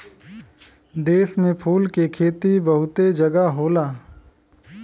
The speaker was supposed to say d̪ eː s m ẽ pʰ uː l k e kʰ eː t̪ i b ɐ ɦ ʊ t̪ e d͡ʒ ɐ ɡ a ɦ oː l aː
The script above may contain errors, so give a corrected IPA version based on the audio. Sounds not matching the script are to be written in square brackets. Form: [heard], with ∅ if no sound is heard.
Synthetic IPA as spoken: d̪ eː s m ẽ pʰ uː l k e kʰ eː t̪ i b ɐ ɦ ʊ t̪ e d͡ʒ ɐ ɡ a ɦ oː l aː